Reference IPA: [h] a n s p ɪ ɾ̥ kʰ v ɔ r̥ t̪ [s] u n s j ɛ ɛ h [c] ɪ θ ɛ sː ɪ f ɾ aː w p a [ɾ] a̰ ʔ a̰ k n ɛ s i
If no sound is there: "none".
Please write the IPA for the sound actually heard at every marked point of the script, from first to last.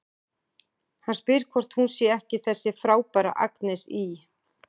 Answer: h, h, c, ɾ

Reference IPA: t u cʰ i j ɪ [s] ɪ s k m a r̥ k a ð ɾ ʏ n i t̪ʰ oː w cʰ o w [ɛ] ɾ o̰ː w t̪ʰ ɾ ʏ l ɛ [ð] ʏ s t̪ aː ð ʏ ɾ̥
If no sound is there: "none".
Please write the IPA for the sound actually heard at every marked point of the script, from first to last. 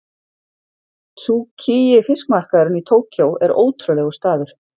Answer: f, ɛ, ɣ

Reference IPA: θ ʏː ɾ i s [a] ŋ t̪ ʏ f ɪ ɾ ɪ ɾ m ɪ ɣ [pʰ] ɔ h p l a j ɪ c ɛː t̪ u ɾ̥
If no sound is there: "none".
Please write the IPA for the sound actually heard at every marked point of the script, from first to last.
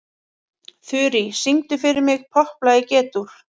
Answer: i, pʰ

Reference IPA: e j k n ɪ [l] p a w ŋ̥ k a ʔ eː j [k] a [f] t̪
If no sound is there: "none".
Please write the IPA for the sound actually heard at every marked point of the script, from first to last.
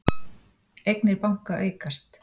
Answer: ɾ, k, s

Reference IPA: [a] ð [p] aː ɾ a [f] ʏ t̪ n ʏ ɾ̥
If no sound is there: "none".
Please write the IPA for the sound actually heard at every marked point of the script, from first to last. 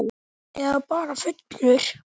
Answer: ɛ, p, f

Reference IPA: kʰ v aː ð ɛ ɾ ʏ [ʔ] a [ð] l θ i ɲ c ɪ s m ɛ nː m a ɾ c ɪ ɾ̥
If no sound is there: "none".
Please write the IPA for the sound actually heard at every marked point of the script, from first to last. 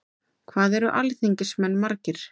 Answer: ʔ, none

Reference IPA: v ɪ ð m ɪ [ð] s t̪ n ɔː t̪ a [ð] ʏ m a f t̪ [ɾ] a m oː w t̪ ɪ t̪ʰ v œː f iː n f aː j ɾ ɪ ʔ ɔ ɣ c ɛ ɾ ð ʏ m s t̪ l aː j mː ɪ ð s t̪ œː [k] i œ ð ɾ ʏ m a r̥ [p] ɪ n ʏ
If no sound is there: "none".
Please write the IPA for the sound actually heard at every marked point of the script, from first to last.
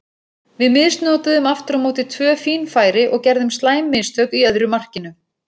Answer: ð, ð, ɾ, k, c

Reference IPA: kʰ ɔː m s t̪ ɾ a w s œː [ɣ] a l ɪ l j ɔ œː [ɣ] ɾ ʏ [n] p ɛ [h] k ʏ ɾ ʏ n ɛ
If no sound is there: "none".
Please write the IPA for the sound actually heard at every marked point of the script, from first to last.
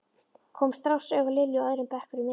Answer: ɣ, ð, m, h

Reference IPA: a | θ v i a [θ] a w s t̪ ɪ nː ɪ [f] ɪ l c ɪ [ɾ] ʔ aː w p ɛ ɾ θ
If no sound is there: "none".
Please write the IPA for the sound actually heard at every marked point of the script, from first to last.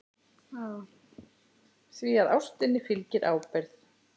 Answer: ð, f, ɾ

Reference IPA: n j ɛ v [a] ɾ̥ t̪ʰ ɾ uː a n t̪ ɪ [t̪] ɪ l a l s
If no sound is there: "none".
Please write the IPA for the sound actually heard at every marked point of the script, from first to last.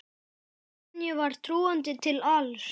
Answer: a, t̪ʰ

